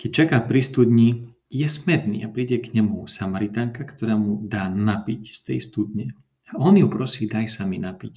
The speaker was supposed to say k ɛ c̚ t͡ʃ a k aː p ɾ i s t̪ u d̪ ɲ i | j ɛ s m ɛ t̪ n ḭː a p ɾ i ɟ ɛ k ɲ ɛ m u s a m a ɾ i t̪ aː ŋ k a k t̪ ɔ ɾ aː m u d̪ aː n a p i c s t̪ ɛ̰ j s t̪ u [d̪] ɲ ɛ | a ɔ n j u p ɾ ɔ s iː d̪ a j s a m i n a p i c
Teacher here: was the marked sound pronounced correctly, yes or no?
yes